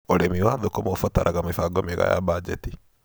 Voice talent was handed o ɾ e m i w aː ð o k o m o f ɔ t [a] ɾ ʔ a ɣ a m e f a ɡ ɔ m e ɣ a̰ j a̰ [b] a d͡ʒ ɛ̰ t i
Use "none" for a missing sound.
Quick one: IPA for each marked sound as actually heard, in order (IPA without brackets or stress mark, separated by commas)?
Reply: a, b